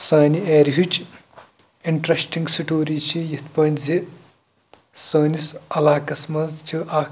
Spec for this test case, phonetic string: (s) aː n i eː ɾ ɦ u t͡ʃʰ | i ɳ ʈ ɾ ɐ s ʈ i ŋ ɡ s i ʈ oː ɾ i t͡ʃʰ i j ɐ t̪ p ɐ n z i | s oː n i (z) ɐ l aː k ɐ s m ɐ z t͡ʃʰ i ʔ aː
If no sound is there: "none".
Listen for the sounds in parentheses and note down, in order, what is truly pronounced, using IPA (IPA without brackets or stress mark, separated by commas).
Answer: s, s